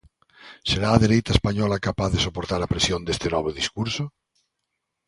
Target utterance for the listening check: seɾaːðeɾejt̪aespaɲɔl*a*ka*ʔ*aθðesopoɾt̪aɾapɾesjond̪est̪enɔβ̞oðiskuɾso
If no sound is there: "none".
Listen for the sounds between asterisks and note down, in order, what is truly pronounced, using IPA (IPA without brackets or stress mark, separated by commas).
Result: a, p